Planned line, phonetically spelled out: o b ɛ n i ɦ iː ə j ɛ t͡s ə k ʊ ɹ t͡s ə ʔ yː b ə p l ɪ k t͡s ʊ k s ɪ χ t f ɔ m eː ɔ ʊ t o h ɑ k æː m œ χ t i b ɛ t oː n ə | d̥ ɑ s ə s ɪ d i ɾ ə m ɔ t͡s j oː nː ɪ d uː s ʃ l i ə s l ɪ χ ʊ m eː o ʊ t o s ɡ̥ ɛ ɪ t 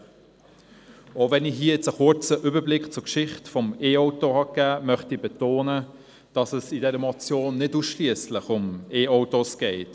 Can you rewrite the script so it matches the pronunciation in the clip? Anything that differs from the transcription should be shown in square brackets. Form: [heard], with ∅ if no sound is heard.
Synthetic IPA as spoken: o [v] ɛ n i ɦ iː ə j ɛ t͡s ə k ʊ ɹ t͡s ə ʔ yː b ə [b] l ɪ k t͡s ʊ k [ʃ] ɪ χ t f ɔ m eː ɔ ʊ t o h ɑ k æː m œ χ t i b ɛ t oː n ə | d̥ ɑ s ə s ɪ d [ɛ] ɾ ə m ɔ t͡s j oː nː ɪ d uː s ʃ l i ə s l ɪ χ ʊ m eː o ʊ t o s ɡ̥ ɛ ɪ t